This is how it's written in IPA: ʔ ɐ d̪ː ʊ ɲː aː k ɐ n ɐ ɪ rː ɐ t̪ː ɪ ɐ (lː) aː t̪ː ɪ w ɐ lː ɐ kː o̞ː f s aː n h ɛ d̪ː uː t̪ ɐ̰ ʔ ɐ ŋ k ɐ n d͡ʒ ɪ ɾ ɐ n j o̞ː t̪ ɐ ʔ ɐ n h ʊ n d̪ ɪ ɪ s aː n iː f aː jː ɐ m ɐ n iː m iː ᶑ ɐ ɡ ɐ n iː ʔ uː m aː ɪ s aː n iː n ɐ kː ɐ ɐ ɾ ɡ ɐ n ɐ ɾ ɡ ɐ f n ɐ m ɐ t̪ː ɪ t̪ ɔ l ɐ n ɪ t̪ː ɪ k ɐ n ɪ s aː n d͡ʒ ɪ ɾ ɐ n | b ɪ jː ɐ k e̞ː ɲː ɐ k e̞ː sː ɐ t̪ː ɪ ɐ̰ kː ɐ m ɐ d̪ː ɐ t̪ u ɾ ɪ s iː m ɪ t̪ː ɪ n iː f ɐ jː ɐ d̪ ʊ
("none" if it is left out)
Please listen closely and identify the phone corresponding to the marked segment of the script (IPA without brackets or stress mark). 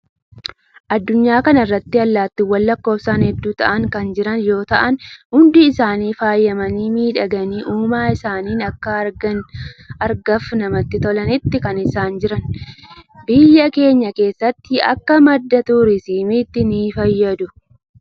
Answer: lː